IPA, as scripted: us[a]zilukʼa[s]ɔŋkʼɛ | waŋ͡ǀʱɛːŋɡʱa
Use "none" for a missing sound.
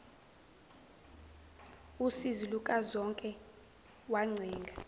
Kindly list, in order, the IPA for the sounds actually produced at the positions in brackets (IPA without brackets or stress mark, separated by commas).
i, z